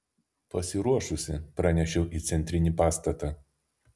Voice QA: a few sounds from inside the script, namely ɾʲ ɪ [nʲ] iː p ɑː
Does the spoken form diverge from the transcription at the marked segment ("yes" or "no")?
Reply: no